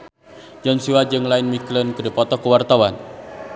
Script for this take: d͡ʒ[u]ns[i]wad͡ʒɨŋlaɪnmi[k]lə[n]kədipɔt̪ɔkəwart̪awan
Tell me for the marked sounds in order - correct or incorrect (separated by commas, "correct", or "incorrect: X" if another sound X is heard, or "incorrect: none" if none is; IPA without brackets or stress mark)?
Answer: incorrect: ɔ, correct, correct, correct